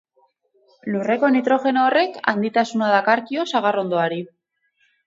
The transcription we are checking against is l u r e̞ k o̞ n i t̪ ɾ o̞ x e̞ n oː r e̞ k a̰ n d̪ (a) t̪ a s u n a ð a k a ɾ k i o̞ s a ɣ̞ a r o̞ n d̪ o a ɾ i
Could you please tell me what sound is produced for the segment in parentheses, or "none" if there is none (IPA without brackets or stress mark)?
i